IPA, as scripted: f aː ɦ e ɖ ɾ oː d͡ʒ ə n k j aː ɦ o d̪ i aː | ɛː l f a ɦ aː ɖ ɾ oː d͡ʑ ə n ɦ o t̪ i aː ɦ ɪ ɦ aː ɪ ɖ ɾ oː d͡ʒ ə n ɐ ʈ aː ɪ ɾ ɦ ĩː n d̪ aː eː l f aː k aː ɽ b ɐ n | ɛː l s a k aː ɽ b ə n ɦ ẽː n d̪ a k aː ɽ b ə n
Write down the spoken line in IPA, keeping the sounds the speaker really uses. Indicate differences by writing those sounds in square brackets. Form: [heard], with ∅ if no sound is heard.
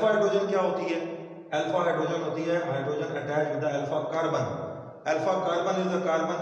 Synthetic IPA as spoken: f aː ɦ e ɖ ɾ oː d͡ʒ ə n k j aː ɦ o [t̪] i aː | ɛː l f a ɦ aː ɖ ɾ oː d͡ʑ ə n ɦ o t̪ i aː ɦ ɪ ɦ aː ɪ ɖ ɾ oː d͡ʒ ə n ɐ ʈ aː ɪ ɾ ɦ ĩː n d̪ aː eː l f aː k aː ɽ b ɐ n | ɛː l [f] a k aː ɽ b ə n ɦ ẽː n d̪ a k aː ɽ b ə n